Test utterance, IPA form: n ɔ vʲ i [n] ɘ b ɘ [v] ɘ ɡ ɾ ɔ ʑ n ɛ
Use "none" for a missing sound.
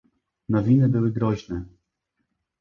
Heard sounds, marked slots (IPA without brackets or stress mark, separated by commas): n, w